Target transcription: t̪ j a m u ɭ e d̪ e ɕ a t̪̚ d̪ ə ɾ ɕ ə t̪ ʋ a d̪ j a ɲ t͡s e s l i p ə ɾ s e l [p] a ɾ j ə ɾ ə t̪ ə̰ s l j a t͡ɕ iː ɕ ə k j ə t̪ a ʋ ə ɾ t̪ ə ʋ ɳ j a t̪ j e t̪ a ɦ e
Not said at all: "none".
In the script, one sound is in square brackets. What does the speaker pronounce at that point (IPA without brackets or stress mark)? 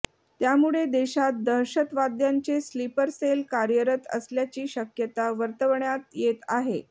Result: k